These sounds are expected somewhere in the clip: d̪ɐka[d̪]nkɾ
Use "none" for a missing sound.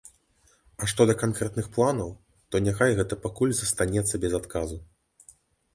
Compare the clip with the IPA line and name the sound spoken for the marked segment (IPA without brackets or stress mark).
none